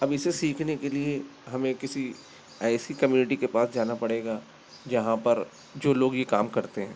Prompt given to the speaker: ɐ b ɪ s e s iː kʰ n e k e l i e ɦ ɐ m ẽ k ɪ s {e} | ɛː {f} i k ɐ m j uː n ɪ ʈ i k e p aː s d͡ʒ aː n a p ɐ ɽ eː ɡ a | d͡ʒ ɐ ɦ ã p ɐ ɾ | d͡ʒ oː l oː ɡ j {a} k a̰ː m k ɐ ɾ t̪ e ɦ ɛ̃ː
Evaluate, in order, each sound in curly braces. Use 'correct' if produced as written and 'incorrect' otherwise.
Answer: incorrect: i, incorrect: s, incorrect: e

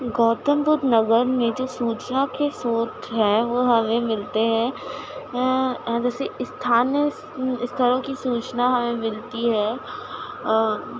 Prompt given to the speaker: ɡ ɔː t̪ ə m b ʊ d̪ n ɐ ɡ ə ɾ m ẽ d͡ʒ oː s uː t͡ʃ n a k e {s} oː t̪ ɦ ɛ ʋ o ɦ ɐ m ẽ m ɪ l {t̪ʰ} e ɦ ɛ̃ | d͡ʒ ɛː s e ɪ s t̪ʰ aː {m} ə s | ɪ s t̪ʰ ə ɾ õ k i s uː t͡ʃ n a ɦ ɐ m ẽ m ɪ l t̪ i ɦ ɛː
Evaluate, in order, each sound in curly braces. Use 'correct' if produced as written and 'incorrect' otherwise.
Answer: correct, incorrect: t̪, incorrect: n

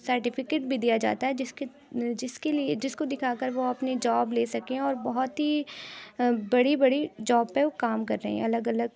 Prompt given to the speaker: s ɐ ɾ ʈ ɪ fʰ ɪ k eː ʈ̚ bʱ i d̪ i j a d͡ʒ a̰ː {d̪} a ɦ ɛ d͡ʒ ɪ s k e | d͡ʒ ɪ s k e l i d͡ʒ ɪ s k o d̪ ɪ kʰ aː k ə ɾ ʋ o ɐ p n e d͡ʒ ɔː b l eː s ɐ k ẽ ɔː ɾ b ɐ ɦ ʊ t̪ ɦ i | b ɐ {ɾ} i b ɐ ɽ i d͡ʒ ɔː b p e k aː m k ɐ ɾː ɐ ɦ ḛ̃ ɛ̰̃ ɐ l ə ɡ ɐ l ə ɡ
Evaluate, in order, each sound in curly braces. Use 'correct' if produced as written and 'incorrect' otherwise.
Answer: incorrect: t̪, incorrect: ɽ

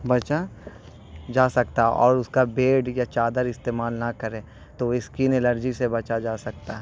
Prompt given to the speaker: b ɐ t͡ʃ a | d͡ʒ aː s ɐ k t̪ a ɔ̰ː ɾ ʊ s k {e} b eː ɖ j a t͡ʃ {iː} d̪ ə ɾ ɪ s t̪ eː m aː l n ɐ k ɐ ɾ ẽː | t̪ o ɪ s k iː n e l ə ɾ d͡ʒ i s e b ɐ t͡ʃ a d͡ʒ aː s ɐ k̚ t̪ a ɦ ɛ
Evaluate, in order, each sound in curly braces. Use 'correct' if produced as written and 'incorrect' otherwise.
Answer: incorrect: a, incorrect: aː

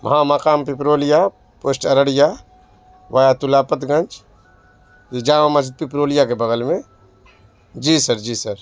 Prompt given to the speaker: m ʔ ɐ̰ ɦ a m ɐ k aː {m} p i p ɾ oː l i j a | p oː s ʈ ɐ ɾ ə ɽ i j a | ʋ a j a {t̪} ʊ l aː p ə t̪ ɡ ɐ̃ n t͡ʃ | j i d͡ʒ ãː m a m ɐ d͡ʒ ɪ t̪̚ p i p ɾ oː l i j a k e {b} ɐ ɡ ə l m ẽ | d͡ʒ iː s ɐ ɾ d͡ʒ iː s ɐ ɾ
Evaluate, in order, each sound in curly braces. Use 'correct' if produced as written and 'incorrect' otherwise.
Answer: correct, correct, correct

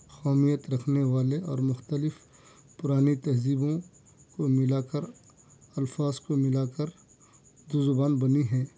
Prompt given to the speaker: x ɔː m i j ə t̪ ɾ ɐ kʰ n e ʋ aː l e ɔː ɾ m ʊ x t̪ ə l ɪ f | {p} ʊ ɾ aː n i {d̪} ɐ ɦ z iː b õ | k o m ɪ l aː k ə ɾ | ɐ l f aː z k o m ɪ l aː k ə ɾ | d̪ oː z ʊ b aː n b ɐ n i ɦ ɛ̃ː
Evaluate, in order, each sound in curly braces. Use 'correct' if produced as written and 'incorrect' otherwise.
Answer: correct, incorrect: t̪

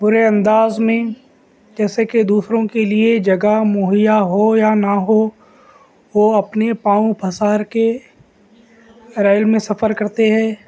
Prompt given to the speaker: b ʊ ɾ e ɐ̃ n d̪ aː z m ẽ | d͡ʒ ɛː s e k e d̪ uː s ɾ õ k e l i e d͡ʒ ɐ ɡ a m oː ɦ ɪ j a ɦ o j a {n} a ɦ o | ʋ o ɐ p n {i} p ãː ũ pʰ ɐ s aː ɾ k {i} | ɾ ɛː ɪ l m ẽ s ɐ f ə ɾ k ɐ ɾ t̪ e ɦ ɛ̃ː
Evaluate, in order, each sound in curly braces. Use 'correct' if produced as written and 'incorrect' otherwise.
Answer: correct, incorrect: e, incorrect: e

